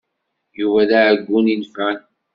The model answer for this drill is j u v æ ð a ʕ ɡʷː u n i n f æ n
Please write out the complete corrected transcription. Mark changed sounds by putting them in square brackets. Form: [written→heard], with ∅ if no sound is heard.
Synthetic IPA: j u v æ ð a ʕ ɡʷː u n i n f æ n